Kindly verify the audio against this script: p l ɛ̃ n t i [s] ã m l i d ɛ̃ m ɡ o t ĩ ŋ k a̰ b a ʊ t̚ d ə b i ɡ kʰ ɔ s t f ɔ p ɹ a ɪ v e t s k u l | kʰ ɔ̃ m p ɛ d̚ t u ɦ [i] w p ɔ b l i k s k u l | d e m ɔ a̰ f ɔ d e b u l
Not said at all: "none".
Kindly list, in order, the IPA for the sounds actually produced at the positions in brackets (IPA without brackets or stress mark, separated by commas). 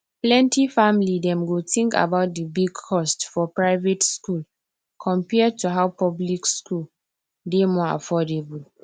f, a